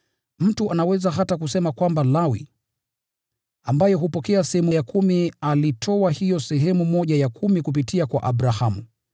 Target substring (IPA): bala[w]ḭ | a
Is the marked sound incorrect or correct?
correct